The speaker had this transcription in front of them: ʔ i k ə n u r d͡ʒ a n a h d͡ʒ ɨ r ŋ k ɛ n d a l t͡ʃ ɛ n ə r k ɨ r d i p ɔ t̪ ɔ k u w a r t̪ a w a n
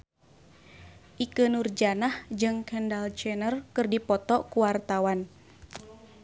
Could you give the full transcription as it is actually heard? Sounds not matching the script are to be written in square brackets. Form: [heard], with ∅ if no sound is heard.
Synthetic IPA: ʔ i k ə n u r d͡ʒ a n a h d͡ʒ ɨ [∅] ŋ k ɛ n d a l t͡ʃ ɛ n ə r k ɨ r d i p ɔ t̪ ɔ k u w a r t̪ a w a n

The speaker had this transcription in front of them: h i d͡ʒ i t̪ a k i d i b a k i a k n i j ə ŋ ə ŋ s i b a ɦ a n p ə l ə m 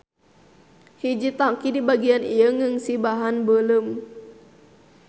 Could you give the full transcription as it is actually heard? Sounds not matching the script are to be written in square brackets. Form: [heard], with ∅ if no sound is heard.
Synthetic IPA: h i d͡ʒ i t̪ a k i d i b a [ɡ] i a [∅] n i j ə ŋ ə ŋ s i b a ɦ a n [b] ə l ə m

